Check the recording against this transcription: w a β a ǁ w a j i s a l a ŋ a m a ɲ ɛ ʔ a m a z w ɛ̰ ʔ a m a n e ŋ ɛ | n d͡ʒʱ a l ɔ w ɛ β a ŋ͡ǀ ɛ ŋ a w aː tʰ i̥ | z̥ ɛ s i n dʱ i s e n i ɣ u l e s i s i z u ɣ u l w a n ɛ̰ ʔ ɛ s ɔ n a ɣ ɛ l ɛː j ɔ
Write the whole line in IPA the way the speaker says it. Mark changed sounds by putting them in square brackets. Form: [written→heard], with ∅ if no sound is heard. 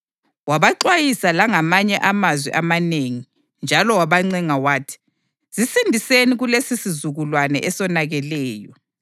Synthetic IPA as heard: w a β a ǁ w a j i s a l a ŋ a m a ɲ ɛ ʔ a m a z w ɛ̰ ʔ a m a n e ŋ [ɛ→i] | n d͡ʒʱ a l ɔ w [ɛ→a] β a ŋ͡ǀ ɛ ŋ a w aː tʰ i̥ | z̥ [ɛ→i] s i n dʱ i s e n i ɣ u l e s i s i z u ɣ u l w a n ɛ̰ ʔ ɛ s ɔ n a ɣ ɛ l ɛː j ɔ